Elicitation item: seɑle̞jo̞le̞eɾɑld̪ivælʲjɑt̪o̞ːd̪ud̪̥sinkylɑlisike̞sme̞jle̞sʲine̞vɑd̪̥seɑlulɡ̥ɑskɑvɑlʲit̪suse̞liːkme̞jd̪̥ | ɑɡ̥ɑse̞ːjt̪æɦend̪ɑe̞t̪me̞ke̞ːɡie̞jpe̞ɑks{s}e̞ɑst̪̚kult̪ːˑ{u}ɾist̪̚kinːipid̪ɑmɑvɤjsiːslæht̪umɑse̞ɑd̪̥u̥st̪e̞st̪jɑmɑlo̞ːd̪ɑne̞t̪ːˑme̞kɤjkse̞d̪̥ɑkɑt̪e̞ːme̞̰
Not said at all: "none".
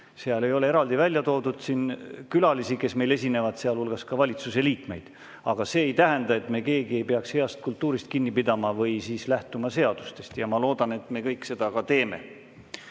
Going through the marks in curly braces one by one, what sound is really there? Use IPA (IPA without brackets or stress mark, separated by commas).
h, uː